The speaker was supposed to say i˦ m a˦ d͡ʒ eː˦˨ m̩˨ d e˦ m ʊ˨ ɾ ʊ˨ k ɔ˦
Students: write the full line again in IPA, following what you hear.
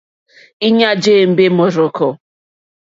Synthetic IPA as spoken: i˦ ɲ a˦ d͡ʒ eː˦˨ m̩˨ b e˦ m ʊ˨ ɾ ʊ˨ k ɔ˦

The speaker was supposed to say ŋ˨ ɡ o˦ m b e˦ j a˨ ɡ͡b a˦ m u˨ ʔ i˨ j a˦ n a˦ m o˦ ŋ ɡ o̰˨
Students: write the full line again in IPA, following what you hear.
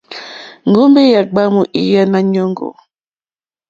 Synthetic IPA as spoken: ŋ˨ ɡ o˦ m b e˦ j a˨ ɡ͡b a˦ m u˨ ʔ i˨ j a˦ n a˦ ɲ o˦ ŋ ɡ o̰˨

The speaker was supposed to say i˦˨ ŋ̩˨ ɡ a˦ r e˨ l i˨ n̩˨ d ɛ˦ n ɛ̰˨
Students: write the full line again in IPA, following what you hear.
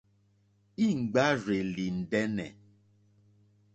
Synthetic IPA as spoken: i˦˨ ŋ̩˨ ɡ͡b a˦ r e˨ l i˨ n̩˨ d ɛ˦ n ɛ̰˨

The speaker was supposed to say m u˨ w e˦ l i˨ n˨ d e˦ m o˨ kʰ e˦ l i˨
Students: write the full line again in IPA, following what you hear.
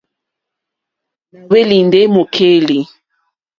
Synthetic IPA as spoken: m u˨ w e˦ l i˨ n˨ d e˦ m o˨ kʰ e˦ l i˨

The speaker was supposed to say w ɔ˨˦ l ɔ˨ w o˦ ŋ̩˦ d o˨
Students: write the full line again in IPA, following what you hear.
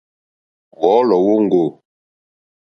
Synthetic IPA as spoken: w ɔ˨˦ l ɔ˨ w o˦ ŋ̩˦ ɡ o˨

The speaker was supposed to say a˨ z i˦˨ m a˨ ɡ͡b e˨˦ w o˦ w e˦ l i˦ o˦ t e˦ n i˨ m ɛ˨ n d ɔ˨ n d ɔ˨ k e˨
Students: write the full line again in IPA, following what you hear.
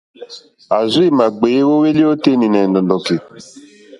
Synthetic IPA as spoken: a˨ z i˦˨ m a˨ ɡ͡b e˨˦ w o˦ w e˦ l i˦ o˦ t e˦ n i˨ n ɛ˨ n d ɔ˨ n d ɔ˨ k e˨

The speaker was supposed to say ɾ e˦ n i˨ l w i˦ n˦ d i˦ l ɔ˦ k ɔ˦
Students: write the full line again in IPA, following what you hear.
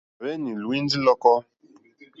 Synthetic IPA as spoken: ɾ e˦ n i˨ l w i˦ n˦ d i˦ l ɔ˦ k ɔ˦

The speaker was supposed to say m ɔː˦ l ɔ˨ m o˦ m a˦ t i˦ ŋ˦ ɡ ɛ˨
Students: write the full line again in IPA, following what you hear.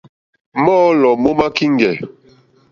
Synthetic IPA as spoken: m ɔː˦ l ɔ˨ m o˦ m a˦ k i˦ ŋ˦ ɡ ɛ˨

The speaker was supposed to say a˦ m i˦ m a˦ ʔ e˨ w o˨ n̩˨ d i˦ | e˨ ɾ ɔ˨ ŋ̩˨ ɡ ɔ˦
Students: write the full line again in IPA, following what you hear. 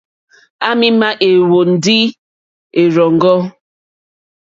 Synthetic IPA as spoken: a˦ m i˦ m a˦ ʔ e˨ w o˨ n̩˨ d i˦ | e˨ ɾ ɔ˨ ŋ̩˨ ɡ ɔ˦

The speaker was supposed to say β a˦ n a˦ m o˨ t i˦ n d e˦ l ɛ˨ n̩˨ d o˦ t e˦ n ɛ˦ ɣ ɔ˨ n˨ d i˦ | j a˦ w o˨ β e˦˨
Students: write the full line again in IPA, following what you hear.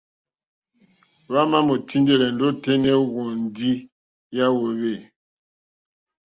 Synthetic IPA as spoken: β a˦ m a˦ m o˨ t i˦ n d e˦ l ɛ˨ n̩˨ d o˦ t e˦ n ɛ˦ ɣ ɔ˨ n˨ d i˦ | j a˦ w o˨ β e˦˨

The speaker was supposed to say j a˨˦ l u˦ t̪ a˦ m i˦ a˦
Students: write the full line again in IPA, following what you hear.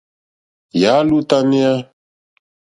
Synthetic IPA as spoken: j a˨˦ l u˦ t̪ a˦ n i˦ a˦

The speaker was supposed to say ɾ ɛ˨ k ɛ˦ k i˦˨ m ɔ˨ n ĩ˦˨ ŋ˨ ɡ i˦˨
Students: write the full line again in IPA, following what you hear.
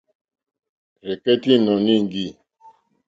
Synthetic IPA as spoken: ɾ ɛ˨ k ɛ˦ t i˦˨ n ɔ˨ n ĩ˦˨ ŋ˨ ɡ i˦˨

